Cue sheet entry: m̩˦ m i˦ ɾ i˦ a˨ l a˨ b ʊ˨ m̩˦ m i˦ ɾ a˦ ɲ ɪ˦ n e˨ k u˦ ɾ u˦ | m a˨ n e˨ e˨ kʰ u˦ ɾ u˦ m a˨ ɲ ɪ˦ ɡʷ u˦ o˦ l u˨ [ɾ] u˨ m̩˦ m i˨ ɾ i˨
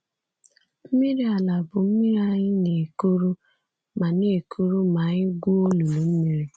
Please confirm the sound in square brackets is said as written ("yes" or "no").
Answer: no